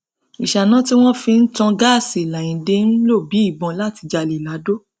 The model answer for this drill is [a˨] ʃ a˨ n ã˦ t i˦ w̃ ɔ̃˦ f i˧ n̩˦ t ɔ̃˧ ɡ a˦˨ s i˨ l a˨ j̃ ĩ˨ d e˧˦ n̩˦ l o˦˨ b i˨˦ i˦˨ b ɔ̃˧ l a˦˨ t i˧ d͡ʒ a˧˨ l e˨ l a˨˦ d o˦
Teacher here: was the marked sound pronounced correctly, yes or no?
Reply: no